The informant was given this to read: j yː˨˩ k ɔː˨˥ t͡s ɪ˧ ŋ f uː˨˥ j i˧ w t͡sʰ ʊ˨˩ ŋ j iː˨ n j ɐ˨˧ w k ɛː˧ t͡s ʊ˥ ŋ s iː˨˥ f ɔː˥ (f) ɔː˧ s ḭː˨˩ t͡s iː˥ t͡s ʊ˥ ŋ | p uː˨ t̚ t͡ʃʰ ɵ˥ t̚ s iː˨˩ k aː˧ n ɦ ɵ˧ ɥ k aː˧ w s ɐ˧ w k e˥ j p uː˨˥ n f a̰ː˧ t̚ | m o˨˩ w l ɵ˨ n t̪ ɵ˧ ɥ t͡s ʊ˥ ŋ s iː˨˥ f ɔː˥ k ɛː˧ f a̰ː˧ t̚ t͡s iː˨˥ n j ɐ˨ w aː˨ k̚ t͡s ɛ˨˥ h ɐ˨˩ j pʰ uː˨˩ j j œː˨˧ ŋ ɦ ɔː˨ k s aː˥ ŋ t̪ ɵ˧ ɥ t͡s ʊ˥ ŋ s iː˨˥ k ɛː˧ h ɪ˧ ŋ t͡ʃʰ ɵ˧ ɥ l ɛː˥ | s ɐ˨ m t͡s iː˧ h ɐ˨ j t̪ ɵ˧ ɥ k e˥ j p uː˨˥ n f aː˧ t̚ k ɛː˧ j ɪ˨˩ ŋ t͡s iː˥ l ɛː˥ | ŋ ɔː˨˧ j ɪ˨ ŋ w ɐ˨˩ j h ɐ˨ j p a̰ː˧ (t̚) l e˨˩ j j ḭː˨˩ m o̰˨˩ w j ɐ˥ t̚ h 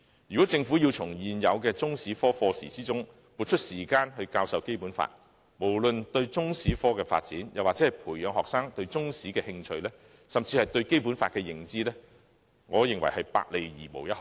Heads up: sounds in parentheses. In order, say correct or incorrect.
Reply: correct, incorrect: k̚

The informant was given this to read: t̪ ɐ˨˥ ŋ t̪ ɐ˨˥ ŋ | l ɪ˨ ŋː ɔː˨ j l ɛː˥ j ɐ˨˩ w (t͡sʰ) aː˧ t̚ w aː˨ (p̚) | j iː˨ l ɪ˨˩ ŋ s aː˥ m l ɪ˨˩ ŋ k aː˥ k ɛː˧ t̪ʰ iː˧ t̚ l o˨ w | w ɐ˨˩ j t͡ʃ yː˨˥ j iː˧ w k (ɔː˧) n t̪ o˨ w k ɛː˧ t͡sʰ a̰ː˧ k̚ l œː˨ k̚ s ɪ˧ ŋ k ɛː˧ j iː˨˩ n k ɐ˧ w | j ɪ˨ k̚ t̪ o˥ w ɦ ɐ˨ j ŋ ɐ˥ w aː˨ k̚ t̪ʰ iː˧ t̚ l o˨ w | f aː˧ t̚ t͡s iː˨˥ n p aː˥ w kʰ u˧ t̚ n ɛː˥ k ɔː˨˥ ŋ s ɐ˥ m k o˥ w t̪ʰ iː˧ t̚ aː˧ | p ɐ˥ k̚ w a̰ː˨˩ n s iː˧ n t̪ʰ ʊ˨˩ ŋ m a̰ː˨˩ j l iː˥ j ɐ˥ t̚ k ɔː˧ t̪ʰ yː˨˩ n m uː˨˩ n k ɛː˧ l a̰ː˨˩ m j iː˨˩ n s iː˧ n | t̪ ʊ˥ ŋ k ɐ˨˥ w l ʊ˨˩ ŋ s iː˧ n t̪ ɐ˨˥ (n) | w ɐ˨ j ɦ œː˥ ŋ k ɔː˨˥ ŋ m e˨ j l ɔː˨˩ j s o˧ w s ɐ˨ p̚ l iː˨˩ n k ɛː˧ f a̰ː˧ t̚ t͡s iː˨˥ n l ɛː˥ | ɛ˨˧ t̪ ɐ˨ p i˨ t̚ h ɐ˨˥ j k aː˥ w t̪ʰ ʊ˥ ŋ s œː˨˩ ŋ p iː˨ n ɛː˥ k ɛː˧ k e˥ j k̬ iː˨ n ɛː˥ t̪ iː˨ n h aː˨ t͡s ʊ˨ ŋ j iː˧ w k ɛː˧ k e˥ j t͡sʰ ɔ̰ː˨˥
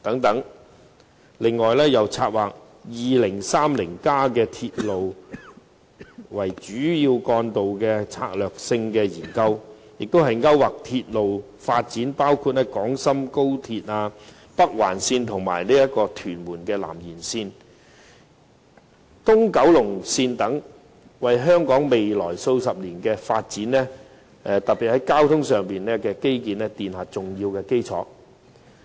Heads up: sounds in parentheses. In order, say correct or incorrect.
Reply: correct, incorrect: k̚, correct, incorrect: ŋ

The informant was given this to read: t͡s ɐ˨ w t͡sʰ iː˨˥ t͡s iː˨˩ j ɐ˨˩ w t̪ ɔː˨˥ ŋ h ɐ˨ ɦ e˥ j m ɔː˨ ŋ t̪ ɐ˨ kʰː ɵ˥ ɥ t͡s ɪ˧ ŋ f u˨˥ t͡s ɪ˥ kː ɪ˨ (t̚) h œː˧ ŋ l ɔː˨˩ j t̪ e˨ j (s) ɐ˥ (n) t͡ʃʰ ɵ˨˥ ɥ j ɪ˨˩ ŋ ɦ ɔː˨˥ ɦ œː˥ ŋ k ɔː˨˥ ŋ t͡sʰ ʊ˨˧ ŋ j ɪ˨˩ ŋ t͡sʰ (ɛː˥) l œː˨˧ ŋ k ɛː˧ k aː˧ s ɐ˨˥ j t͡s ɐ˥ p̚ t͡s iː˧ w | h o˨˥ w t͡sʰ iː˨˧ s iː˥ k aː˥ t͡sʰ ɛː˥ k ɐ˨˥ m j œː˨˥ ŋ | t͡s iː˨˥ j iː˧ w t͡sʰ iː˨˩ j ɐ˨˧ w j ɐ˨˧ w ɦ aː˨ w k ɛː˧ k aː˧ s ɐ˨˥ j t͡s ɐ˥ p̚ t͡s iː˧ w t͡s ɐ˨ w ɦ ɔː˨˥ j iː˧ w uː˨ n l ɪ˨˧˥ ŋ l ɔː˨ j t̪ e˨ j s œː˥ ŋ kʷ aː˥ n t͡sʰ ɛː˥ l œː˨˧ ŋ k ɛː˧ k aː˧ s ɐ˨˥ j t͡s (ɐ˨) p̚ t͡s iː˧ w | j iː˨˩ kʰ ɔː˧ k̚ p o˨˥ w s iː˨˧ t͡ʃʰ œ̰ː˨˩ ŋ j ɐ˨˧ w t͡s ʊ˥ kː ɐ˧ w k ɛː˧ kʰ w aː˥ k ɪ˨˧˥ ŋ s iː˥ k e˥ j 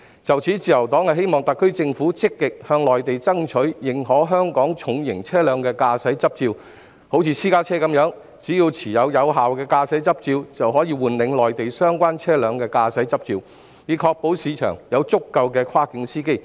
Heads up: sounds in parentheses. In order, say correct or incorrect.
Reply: incorrect: k̚, incorrect: t͡s, incorrect: ŋ, correct, incorrect: ɐ˥

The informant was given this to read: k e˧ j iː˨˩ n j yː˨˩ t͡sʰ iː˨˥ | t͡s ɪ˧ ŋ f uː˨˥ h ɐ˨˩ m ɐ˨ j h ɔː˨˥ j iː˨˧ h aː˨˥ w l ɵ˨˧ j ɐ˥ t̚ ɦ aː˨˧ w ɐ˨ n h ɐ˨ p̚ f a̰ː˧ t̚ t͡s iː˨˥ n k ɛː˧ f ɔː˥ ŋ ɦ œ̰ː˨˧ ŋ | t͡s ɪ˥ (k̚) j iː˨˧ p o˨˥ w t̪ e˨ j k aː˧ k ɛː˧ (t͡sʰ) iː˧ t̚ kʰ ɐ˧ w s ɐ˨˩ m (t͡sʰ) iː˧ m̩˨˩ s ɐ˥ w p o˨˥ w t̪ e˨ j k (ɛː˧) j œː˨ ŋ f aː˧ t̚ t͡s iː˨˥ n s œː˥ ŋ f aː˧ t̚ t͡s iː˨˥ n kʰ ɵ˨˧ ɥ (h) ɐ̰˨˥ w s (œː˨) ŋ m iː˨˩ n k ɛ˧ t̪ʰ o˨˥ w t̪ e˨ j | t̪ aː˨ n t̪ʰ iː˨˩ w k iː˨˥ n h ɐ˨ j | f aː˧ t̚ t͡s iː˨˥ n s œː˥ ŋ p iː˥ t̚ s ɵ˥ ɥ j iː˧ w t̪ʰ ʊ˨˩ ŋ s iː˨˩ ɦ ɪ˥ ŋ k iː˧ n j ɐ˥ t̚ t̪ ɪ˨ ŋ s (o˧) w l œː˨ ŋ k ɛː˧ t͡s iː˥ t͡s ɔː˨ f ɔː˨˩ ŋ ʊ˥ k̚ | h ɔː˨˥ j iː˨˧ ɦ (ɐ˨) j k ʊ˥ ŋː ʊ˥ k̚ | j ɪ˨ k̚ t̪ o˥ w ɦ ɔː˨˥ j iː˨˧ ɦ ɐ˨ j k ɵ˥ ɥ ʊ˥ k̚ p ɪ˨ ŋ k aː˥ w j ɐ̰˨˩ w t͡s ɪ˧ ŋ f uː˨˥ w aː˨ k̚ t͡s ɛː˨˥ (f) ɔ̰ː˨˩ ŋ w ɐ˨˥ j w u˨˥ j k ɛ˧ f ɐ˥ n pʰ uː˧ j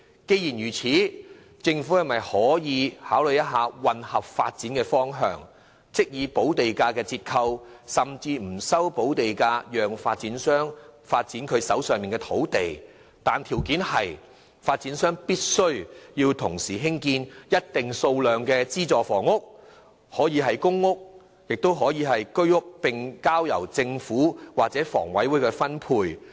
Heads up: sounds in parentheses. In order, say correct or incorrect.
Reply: correct, incorrect: t͡s, incorrect: t͡s, incorrect: aː˧, incorrect: s, correct, correct, correct, correct

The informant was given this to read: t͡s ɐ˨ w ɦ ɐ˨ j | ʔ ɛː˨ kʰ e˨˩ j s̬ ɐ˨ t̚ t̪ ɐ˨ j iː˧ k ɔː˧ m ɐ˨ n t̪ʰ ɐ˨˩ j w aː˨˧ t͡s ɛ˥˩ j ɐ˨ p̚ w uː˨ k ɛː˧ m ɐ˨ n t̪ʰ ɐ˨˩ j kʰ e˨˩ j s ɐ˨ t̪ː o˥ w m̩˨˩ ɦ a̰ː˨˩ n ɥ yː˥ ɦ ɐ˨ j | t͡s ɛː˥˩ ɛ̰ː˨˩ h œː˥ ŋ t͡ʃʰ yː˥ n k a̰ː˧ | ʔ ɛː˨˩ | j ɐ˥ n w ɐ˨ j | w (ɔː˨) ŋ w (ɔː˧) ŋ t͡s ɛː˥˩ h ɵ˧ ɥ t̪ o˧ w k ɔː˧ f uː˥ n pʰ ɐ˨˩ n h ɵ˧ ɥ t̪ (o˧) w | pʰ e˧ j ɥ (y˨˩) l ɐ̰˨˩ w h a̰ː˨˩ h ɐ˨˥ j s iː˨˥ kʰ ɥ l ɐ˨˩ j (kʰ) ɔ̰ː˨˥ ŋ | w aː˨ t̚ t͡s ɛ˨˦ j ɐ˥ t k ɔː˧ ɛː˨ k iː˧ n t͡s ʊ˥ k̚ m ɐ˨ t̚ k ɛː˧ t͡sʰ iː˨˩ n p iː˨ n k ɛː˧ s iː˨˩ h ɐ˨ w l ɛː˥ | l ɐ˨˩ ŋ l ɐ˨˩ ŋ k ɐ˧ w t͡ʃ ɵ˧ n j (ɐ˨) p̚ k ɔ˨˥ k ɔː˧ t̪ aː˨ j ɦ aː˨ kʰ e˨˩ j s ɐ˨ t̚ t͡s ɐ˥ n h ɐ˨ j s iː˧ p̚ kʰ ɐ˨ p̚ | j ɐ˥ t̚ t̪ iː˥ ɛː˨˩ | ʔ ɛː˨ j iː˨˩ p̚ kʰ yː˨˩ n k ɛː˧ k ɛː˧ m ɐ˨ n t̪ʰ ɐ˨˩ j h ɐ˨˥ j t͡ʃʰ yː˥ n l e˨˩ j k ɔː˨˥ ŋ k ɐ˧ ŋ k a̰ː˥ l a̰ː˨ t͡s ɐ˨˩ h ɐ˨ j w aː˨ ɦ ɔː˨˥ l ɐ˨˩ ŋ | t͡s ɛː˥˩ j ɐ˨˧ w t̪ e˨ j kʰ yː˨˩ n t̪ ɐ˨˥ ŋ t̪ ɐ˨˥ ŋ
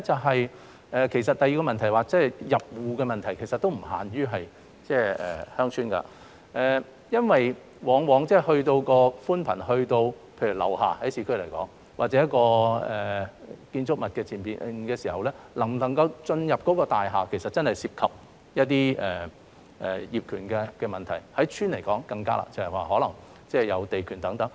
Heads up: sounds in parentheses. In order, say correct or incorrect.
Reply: incorrect: ɔː˨˥, incorrect: ɔː˨˥, correct, correct, incorrect: k, correct

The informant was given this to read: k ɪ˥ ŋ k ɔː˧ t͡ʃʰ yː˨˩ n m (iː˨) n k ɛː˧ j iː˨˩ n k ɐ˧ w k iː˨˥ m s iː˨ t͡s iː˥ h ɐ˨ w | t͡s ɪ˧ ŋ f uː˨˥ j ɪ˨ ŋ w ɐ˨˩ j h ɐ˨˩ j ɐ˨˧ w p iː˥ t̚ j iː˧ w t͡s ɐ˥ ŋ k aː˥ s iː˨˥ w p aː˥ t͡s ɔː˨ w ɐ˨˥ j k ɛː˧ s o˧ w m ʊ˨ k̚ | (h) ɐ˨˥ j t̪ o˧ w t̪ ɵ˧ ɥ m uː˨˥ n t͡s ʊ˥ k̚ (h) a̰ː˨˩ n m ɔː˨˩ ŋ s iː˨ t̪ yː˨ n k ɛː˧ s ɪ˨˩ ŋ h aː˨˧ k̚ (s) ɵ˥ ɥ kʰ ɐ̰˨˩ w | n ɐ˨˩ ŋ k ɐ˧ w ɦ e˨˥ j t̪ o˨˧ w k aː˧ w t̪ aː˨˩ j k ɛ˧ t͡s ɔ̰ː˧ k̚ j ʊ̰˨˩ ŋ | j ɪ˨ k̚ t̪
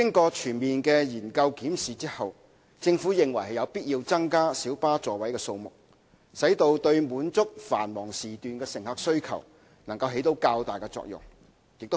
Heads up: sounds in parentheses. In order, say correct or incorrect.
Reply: correct, incorrect: s, incorrect: f, correct

